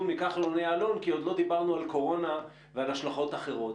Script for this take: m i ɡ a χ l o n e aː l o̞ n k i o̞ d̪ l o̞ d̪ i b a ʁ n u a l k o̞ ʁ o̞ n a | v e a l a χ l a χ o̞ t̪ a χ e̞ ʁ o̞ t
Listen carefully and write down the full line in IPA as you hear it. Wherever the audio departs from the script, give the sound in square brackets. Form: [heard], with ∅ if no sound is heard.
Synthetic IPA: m i [k] a χ l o n e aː l o̞ n k i o̞ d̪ l o̞ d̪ i b a ʁ n u a l k o̞ ʁ o̞ n a | v e a l a [ʃ] l a χ o̞ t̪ a χ e̞ ʁ o̞ t